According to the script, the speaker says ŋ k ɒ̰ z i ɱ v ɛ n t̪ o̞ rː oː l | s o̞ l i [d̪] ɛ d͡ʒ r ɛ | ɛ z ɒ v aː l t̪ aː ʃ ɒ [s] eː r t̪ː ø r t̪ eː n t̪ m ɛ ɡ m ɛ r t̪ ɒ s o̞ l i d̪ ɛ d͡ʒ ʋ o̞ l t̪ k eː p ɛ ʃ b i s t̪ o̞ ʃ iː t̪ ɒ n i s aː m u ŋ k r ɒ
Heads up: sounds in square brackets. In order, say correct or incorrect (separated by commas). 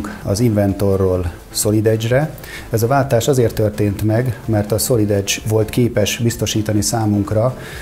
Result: correct, incorrect